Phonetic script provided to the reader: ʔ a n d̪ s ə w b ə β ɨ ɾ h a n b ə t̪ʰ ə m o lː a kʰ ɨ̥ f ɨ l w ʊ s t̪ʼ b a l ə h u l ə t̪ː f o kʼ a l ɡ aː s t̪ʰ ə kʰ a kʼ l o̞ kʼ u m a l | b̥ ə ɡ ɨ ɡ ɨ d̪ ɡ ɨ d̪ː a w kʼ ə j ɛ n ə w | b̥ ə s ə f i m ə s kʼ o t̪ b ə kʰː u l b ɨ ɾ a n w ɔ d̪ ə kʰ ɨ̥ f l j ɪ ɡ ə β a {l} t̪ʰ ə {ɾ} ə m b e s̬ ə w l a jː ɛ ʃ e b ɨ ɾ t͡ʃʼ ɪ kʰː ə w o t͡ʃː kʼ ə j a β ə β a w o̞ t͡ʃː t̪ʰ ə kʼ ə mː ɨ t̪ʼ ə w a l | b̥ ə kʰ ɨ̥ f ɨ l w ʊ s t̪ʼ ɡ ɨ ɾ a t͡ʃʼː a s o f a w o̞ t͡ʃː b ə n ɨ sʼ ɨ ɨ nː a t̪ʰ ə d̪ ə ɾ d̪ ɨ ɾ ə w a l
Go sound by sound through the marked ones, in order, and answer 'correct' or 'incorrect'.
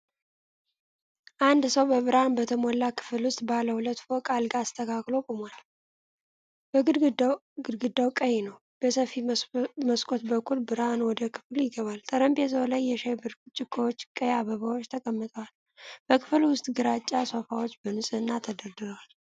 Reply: correct, correct

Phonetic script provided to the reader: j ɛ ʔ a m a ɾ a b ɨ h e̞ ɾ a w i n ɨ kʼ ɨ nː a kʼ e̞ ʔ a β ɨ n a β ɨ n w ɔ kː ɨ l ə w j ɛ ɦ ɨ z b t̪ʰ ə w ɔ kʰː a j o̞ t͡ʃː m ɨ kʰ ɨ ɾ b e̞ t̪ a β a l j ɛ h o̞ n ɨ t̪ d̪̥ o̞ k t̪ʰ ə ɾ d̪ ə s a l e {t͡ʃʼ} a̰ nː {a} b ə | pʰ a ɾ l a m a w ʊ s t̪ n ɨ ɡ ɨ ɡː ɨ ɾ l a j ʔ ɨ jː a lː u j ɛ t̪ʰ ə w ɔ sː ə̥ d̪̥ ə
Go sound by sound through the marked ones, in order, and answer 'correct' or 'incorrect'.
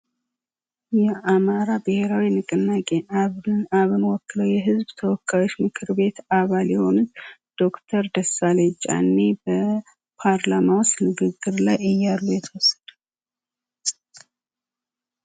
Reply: correct, incorrect: e

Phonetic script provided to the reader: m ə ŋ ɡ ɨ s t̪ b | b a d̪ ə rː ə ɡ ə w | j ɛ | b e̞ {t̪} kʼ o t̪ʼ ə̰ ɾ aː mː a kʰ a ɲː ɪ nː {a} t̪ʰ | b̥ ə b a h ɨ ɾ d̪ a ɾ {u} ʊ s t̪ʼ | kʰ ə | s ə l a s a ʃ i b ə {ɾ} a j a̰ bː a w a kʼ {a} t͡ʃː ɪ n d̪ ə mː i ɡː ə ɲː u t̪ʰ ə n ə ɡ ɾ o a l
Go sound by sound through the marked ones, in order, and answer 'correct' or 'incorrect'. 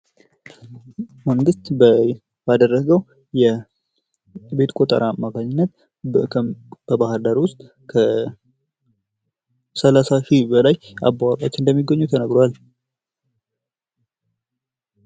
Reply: correct, incorrect: ə, incorrect: w, incorrect: l, correct

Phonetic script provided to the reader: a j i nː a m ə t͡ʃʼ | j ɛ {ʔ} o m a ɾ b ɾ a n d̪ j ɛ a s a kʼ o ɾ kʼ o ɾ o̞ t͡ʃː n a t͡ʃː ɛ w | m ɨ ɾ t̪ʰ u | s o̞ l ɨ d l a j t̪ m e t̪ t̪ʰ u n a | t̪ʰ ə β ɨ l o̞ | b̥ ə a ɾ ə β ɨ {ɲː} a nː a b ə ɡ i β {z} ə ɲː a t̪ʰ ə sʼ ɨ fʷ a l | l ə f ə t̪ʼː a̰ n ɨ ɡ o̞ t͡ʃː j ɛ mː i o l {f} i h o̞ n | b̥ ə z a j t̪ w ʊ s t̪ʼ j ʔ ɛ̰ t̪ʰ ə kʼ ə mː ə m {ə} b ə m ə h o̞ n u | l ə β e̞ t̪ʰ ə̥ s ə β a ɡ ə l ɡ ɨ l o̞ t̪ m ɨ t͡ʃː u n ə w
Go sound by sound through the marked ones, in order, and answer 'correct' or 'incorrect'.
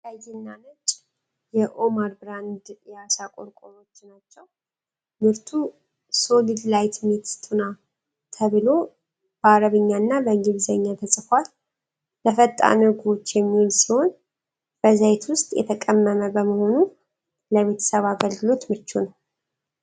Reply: correct, correct, correct, incorrect: s, correct

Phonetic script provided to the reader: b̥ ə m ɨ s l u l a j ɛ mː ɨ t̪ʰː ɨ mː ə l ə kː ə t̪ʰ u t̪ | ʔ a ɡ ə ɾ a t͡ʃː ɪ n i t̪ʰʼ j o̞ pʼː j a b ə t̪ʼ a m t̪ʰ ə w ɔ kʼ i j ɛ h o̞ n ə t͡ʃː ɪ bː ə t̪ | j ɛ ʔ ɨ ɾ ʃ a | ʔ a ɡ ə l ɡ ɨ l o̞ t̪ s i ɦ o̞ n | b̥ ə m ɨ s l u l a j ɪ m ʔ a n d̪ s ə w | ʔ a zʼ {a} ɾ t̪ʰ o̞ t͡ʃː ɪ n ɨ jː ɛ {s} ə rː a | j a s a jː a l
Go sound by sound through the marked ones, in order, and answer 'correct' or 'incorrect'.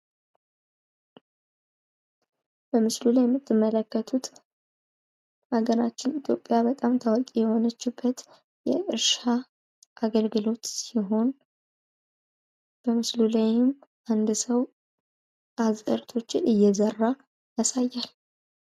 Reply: incorrect: ə, incorrect: z

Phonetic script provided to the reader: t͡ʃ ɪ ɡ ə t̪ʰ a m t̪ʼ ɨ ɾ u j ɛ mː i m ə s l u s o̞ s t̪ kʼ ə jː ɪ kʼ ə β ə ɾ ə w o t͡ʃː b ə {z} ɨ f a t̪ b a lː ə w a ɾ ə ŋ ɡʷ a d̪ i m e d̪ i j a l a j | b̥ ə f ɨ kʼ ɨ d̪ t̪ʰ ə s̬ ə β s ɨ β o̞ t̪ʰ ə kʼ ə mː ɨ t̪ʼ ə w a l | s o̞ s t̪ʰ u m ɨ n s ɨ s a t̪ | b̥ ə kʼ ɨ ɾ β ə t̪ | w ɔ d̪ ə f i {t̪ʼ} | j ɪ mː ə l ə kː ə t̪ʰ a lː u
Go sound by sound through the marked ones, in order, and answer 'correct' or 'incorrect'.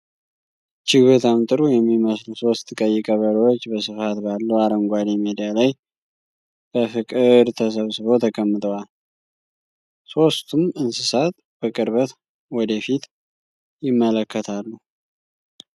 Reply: incorrect: s, incorrect: t̪

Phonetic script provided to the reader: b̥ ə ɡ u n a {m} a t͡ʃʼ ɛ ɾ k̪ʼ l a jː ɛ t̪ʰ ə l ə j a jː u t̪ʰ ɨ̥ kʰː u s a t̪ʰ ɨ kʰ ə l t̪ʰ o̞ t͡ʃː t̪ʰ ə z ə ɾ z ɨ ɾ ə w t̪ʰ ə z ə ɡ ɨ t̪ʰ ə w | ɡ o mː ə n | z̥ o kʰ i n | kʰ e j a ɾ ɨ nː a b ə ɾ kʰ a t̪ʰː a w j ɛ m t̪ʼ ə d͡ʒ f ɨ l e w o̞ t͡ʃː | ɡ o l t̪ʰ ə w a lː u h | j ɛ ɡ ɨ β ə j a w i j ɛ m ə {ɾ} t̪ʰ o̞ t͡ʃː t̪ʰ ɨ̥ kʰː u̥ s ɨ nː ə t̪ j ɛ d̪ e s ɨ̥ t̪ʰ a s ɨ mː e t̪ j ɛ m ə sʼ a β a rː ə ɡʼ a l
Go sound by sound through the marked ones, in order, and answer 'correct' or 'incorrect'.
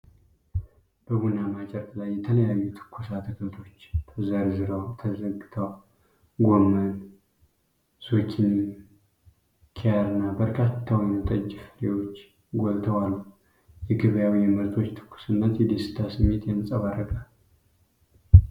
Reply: correct, correct

